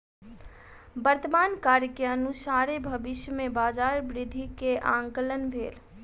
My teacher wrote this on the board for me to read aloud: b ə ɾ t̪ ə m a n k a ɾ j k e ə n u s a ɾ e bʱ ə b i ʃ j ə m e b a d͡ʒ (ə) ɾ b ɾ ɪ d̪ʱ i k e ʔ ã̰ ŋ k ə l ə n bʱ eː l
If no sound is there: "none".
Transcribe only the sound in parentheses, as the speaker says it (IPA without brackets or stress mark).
a